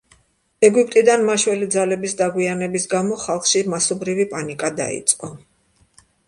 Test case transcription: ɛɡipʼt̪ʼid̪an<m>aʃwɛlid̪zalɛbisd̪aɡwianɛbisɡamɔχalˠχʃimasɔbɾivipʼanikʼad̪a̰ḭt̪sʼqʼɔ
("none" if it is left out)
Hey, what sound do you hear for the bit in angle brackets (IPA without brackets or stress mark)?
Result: m